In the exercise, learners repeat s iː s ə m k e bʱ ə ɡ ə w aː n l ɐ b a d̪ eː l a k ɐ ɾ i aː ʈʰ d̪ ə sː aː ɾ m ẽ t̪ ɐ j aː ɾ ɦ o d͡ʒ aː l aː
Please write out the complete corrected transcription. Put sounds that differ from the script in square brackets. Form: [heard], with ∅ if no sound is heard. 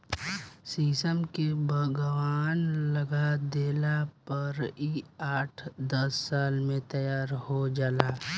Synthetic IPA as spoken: s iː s ə m k e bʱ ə ɡ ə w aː n l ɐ [ɡ] a d̪ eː l a [p] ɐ ɾ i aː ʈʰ d̪ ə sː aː [l] m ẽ t̪ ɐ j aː ɾ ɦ o d͡ʒ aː l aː